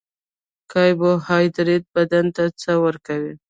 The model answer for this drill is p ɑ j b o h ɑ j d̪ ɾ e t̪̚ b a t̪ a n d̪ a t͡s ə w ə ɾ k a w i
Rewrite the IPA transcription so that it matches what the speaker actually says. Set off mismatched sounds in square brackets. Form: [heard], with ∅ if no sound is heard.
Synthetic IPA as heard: [k] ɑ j b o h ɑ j d̪ ɾ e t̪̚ b a [d̪] a n [t̪] a t͡s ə w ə ɾ k a w i